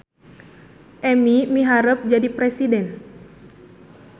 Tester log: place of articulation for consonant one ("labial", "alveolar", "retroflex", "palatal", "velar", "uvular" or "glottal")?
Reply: glottal